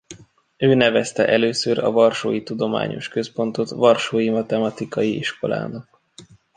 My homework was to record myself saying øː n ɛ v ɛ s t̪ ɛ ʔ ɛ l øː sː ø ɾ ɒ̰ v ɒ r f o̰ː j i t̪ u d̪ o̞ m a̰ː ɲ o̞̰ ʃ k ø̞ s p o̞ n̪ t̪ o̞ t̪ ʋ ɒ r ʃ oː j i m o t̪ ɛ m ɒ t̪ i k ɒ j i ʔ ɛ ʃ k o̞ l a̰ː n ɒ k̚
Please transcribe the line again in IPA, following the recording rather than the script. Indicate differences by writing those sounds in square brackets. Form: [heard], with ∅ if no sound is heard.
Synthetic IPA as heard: øː n ɛ v ɛ s t̪ ɛ ʔ ɛ l øː [s] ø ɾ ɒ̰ v ɒ r [ʃ] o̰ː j i t̪ u d̪ o̞ m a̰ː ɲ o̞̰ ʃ k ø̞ s p o̞ n̪ t̪ o̞ t̪ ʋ ɒ r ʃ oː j i m [ɒ] t̪ ɛ m ɒ t̪ i k ɒ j i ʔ [i] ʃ k o̞ l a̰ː n ɒ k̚